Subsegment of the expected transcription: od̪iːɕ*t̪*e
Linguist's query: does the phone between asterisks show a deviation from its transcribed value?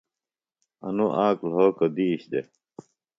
yes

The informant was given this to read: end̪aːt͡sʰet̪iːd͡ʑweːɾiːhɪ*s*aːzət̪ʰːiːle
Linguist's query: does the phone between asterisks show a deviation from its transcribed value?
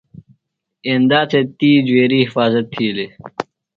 yes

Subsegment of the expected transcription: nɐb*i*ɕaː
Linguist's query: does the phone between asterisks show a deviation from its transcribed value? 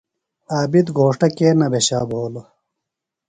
yes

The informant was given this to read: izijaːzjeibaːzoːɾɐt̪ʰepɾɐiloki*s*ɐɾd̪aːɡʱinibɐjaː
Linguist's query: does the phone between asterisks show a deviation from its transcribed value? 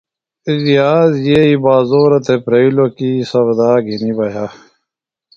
no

